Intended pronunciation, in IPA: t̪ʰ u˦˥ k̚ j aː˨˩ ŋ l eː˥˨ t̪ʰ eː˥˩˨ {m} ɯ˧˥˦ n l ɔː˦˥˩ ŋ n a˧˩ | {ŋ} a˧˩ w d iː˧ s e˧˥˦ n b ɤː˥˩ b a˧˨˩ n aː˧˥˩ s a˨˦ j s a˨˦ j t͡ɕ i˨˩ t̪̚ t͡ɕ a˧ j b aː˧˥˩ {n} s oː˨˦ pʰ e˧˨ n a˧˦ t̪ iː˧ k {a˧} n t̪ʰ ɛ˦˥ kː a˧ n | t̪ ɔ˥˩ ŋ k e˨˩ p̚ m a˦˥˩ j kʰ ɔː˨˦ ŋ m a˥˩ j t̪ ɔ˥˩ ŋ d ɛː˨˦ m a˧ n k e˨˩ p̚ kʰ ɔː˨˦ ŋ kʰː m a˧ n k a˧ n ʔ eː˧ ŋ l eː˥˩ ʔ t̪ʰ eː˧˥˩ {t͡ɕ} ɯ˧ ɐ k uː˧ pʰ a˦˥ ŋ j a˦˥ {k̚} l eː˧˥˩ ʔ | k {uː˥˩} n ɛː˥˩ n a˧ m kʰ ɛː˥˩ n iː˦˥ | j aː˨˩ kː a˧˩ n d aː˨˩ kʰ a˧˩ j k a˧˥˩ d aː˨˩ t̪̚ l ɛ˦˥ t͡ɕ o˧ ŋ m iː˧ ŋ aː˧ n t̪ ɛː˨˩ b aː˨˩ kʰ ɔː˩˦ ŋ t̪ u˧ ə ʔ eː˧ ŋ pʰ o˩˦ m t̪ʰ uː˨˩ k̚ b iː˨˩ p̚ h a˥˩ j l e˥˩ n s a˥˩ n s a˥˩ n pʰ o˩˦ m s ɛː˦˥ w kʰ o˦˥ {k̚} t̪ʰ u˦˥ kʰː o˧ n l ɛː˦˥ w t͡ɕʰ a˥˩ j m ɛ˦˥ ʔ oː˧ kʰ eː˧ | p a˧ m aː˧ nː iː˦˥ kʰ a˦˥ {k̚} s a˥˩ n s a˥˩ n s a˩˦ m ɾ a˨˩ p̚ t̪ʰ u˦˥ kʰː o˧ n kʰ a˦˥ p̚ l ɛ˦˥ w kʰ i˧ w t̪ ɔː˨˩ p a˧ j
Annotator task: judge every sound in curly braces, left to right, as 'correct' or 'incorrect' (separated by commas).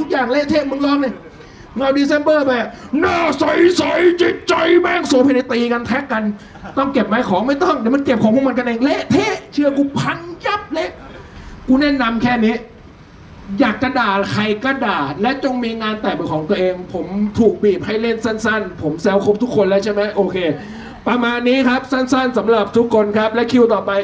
correct, correct, incorrect, correct, incorrect, incorrect, incorrect, incorrect, incorrect